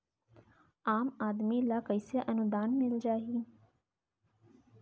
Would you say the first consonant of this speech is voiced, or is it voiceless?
voiced